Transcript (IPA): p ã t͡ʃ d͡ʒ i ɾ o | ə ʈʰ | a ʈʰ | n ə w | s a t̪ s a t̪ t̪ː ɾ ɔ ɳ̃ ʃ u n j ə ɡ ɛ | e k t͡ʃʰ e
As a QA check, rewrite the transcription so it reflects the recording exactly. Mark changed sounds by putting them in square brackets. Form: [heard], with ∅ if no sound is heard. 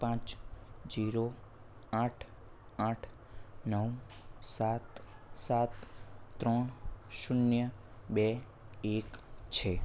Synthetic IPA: p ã t͡ʃ d͡ʒ i ɾ o | [a] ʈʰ | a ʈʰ | n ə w | s a t̪ s a t̪ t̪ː ɾ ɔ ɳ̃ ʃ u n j ə [b] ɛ | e k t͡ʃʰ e

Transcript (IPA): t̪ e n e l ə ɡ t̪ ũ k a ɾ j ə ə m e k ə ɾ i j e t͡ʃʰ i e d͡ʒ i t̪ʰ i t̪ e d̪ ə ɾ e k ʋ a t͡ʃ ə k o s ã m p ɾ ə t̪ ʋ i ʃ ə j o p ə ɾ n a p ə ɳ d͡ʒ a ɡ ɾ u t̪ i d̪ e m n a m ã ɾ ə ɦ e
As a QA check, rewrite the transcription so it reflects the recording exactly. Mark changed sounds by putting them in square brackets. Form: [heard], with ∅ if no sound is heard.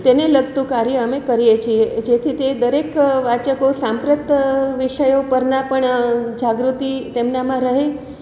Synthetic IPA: t̪ e n e l ə ɡ t̪ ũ k a ɾ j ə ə m e k ə ɾ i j e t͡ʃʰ i e d͡ʒ [e] t̪ʰ i t̪ e d̪ ə ɾ e k ʋ a t͡ʃ ə k o s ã m p ɾ ə t̪ ʋ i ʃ ə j o p ə ɾ n a p ə ɳ d͡ʒ a ɡ ɾ u t̪ i [t̪] e m n a m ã ɾ ə ɦ e

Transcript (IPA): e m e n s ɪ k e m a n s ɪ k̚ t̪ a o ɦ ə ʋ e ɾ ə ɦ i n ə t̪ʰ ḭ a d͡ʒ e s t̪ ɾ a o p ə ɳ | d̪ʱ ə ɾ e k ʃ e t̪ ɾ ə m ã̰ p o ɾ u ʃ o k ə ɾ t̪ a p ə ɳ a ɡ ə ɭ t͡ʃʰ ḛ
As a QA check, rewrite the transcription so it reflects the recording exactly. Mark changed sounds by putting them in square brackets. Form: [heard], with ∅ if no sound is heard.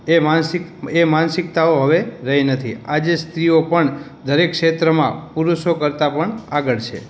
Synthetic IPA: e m [a] n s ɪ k e m a n s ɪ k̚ t̪ a o ɦ ə ʋ e ɾ ə ɦ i n ə t̪ʰ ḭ a d͡ʒ e s t̪ ɾ [i] o p ə ɳ | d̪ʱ ə ɾ e k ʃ e t̪ ɾ ə m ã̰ p [u] ɾ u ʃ o k ə ɾ t̪ a p ə ɳ a ɡ ə ɭ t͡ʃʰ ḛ

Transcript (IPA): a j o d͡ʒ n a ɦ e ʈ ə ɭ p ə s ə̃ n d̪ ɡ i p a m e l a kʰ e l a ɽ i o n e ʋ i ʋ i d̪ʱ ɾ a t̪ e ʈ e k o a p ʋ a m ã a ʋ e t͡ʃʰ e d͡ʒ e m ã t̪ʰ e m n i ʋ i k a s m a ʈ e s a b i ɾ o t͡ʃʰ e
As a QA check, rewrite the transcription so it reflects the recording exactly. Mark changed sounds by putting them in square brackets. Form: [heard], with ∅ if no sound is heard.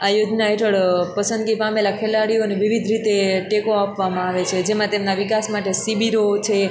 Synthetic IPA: a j o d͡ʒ n a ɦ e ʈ ə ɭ p ə s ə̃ n d̪ ɡ i p a m e l a kʰ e l a ɽ i o n e ʋ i ʋ i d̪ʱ ɾ [i] t̪ e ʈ e k o a p ʋ a m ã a ʋ e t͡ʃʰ e d͡ʒ e m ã [t̪] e m n [a] ʋ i k a s m a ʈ e s [i] b i ɾ o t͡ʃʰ e

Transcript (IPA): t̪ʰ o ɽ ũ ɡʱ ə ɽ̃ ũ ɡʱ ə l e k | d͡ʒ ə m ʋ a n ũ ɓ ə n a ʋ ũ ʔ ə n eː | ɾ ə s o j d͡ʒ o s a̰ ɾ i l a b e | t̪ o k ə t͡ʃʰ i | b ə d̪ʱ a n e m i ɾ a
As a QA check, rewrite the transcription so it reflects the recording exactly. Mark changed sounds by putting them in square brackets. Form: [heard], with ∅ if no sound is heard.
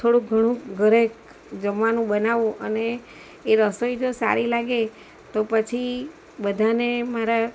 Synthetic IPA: t̪ʰ o ɽ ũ ɡʱ ə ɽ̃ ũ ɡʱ ə [ɾ] e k | d͡ʒ ə m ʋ a n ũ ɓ ə n a ʋ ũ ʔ ə n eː | ɾ ə s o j d͡ʒ o s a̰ ɾ i l a [ɡ] e | t̪ o [p] ə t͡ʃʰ i | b ə d̪ʱ a n e m [a] ɾ a

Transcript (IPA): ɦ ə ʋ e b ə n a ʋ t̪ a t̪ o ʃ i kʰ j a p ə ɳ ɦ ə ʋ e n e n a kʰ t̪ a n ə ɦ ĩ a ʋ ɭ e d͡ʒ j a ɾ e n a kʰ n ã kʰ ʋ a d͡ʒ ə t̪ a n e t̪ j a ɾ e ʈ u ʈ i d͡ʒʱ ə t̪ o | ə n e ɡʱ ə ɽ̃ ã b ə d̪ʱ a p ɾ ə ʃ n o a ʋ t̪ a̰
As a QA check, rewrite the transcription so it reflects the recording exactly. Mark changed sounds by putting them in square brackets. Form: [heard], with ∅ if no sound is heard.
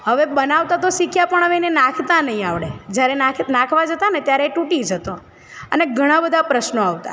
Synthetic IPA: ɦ ə ʋ e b ə n a ʋ t̪ a t̪ o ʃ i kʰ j a p ə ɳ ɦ ə ʋ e n e n a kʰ t̪ a n ə ɦ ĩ a ʋ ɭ e d͡ʒ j a ɾ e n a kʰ n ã kʰ ʋ a d͡ʒ ə t̪ a n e t̪ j a ɾ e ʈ u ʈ i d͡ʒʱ ə t̪ o | ə n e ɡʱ ə ɽ̃ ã b ə d̪ʱ a p ɾ ə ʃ n o a ʋ t̪ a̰

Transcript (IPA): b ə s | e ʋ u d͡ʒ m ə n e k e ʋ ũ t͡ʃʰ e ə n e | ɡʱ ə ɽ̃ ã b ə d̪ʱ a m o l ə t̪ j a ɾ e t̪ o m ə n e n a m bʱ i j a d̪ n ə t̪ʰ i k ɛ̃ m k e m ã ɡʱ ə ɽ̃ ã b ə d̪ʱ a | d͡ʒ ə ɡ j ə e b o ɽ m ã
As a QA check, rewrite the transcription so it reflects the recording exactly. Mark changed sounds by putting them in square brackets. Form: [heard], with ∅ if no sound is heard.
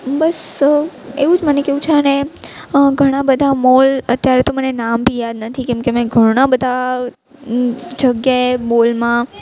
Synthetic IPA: b ə s | e ʋ u d͡ʒ m ə n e k e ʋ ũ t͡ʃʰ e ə n e | ɡʱ ə ɽ̃ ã b ə d̪ʱ a m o l ə t̪ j a ɾ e t̪ o m ə n e n a m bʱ i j a d̪ n ə t̪ʰ i k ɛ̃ m k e m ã ɡʱ ə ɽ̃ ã b ə d̪ʱ a | d͡ʒ ə ɡ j [a] e [m] o [l] m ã

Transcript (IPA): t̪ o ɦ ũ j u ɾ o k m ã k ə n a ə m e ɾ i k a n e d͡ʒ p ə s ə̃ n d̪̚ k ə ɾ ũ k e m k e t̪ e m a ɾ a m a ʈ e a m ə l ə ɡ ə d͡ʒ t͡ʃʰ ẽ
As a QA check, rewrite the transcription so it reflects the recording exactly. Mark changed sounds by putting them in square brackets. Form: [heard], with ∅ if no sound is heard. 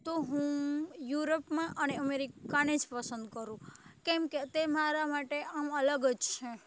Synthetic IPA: t̪ o ɦ ũ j u ɾ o [p] m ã [ʔ] ə n [e] ə m e ɾ i k a n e d͡ʒ p ə s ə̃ n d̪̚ k ə ɾ ũ k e m k e t̪ e m a ɾ a m a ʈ e a m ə l ə ɡ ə d͡ʒ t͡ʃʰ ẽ

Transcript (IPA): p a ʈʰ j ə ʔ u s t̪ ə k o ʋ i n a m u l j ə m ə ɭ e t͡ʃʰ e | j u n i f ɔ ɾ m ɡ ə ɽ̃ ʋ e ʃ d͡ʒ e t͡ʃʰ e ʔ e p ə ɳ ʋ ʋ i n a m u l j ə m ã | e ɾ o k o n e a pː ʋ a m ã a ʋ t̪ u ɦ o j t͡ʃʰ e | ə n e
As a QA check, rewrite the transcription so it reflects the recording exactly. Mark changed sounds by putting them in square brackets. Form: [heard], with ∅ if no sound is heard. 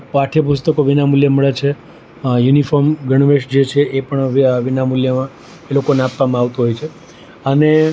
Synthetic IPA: p a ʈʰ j ə [p] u s t̪ ə k o ʋ i n a m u l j ə m ə ɭ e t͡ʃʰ e | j u n i f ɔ ɾ m ɡ ə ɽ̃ ʋ e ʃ d͡ʒ e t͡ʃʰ e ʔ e p ə ɳ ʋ ʋ i n a m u l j ə m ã | e [l] o k o n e a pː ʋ a m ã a ʋ t̪ u ɦ o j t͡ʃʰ e | ə n e

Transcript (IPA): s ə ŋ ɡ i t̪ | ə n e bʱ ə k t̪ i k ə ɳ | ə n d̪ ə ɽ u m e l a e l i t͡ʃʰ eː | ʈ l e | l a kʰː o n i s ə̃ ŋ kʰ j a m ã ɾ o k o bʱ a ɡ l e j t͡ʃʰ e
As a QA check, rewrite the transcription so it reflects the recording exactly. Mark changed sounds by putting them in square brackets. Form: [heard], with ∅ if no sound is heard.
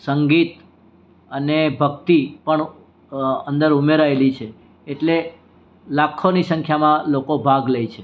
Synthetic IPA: s ə ŋ ɡ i t̪ | ə n e bʱ ə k t̪ i [p] ə ɳ | ə n d̪ ə [ɾ] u m e [ɾ] a e l i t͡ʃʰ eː | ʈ l e | l a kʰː o n i s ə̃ ŋ kʰ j a m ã [l] o k o bʱ a ɡ l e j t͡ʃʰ e

